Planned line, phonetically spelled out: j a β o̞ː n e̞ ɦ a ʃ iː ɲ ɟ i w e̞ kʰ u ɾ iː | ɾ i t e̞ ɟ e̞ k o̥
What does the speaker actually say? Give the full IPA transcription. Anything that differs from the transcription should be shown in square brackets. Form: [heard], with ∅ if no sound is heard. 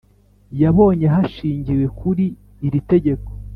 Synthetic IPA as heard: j a β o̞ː [ɲ] e̞ ɦ a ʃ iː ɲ ɟ i w e̞ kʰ u ɾ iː | ɾ i t e̞ ɟ e̞ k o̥